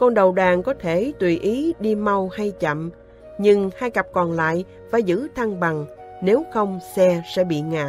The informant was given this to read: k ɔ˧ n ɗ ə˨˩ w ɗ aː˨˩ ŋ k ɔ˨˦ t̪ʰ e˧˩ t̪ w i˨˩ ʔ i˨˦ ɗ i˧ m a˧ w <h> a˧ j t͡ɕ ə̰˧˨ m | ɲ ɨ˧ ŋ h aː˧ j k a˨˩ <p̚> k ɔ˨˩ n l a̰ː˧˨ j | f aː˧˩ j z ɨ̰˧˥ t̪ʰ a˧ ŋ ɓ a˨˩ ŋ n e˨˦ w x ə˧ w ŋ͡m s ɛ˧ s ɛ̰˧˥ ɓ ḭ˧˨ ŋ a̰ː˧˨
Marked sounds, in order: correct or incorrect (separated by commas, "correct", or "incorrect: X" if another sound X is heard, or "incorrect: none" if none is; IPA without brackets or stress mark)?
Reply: correct, correct